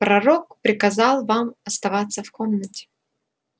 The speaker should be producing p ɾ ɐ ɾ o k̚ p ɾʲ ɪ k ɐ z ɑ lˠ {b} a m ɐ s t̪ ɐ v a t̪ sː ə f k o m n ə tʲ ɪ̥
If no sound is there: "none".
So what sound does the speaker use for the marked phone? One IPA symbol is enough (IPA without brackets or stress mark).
v